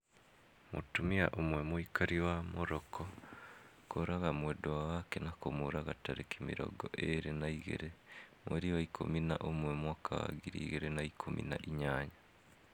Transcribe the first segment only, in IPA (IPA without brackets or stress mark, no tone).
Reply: m